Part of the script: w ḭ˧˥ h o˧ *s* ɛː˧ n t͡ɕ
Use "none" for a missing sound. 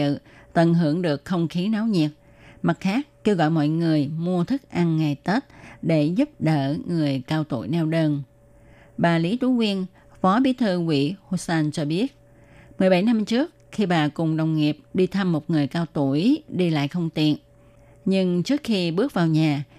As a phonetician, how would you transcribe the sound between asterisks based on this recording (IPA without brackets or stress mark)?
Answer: s